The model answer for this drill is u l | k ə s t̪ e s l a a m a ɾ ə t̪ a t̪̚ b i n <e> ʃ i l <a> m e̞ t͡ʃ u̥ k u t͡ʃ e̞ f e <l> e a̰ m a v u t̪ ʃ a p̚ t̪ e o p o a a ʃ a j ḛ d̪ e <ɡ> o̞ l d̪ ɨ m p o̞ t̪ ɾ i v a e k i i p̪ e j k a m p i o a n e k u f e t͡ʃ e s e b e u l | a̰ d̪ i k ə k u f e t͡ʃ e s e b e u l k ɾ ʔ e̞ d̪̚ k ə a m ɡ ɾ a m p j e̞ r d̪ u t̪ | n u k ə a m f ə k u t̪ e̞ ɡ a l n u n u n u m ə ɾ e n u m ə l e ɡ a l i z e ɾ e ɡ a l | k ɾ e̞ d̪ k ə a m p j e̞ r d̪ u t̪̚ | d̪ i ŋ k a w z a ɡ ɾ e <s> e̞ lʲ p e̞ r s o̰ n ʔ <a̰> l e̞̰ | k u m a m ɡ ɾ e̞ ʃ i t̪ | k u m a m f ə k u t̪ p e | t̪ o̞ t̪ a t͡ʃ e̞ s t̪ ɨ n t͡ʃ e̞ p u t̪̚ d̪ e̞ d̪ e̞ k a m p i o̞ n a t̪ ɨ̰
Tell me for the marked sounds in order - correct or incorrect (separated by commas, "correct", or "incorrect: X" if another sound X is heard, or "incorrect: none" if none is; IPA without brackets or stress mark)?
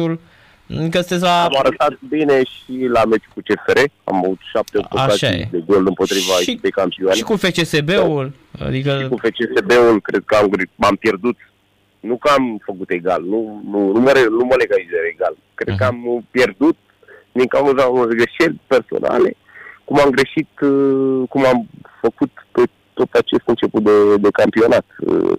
correct, correct, incorrect: ɾ, correct, incorrect: ʃ, correct